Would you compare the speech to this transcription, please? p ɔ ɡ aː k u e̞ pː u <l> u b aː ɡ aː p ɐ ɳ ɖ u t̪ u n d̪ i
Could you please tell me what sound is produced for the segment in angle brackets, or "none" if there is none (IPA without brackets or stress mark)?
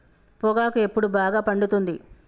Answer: ɽ